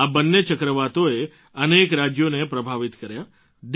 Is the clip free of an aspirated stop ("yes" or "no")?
yes